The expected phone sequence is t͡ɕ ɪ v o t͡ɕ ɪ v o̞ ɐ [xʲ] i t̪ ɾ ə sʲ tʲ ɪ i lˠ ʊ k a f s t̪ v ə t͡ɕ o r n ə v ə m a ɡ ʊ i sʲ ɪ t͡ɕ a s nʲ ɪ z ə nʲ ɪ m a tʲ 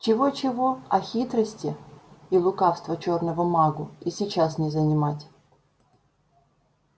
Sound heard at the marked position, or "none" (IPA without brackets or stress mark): xʲ